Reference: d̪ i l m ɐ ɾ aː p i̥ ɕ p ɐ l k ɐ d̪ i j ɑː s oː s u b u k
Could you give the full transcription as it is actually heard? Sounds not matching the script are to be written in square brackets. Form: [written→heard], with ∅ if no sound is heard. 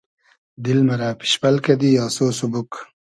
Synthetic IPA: d̪ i l m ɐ ɾ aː p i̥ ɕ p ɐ l k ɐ d̪ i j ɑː s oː s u b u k